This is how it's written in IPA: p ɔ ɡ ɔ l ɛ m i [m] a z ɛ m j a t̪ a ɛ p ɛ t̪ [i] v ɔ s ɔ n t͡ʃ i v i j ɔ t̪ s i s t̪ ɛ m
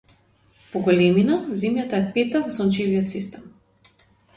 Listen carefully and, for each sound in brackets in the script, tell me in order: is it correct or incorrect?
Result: incorrect: n, incorrect: a

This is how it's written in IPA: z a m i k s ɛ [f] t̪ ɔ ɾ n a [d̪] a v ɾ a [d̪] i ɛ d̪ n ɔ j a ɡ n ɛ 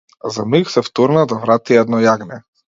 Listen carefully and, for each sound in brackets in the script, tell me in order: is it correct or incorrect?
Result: correct, correct, incorrect: t̪

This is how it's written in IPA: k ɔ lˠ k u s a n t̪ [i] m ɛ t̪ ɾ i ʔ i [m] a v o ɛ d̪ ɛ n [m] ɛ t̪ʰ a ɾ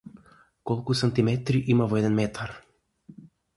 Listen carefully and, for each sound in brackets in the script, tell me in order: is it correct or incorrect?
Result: correct, correct, correct

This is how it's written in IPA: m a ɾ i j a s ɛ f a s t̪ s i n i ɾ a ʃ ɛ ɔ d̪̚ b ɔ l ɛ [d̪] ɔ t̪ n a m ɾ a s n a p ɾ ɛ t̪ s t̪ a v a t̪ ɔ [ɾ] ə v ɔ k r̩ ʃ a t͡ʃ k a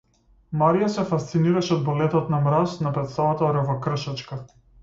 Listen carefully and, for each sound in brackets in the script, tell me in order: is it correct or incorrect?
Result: incorrect: t̪, correct

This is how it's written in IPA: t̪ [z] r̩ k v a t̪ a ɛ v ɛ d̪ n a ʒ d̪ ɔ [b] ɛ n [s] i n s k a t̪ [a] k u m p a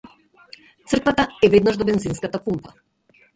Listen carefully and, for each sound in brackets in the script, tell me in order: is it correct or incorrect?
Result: incorrect: s, correct, incorrect: z, correct

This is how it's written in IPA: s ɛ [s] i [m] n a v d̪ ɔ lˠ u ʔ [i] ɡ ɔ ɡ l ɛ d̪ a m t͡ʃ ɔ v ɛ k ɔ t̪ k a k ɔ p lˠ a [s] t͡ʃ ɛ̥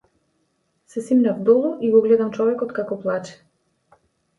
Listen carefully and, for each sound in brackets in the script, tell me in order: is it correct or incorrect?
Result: correct, correct, correct, incorrect: none

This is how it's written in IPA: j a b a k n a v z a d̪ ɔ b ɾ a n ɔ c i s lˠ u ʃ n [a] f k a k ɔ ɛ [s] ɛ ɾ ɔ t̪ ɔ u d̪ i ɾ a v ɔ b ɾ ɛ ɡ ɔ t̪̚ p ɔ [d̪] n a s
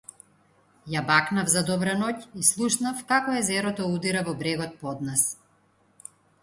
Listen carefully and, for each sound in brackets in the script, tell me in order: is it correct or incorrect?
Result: correct, incorrect: z, correct

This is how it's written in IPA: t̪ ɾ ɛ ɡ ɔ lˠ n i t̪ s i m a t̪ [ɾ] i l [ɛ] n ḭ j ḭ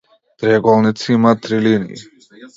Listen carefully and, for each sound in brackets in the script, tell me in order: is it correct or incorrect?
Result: correct, incorrect: i

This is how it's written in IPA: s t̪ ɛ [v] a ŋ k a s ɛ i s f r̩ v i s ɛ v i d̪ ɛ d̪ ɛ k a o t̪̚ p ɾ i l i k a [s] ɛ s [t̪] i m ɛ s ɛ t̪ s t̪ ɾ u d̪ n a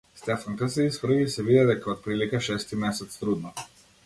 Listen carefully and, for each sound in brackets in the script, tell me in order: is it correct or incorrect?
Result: incorrect: f, incorrect: ʃ, correct

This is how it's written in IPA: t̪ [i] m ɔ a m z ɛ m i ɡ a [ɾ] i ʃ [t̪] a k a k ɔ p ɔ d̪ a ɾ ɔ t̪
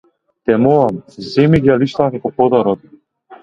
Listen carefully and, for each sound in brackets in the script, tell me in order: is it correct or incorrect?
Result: incorrect: ɛ, incorrect: l, correct

